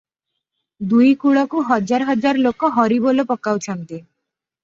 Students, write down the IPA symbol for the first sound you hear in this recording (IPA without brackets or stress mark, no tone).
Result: d̪